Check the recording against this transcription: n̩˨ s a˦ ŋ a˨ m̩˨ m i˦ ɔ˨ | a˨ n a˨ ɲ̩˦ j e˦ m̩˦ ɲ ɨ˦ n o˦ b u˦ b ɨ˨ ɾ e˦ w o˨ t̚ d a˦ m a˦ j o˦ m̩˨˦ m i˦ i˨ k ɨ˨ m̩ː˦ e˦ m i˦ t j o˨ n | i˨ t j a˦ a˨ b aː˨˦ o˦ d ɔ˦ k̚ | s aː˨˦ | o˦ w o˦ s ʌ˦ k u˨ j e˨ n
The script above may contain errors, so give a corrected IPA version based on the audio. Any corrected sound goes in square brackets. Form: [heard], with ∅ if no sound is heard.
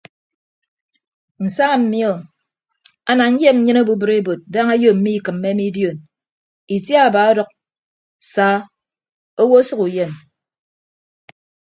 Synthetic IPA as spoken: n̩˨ s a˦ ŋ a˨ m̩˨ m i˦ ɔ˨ | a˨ n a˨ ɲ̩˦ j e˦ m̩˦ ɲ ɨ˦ n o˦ b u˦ b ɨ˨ ɾ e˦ [b] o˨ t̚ d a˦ [ŋ] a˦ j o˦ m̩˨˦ m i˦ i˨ k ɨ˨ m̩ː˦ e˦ m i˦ [d] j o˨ n | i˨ t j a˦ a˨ b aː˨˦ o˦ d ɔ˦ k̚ | s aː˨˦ | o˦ w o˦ s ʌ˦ k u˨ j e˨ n